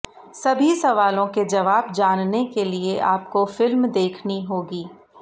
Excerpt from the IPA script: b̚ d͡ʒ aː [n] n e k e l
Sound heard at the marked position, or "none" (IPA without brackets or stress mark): n